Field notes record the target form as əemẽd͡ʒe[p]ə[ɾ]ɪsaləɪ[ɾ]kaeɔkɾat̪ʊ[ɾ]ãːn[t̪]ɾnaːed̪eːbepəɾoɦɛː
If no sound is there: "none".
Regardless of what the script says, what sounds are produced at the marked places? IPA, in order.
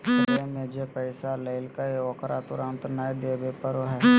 p, none, l, ɾ, t̪

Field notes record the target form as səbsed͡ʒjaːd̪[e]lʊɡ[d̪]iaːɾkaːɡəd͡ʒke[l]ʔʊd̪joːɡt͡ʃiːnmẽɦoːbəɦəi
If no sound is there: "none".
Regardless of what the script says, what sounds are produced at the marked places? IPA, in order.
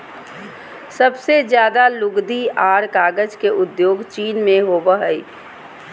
a, d̪, none

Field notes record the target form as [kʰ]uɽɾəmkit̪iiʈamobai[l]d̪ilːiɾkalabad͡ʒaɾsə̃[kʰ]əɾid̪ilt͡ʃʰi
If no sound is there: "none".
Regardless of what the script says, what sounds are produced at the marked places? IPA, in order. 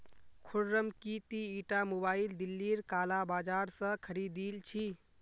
kʰ, l, kʰ

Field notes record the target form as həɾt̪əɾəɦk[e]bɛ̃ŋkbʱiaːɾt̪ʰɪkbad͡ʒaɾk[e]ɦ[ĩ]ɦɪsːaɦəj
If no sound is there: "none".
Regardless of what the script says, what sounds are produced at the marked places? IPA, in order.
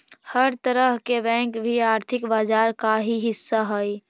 e, a, i

